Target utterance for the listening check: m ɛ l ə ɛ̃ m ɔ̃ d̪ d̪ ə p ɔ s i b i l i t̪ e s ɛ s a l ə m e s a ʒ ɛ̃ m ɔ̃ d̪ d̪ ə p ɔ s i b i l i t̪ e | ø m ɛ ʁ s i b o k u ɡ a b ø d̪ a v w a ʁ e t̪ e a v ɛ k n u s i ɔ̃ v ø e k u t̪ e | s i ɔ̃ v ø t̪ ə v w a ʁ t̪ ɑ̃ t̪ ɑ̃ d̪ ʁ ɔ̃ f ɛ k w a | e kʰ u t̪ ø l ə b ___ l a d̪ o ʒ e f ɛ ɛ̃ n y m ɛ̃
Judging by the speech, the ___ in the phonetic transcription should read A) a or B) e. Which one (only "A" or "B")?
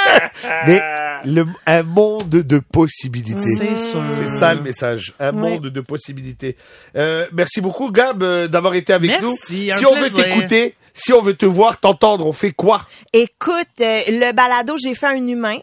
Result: A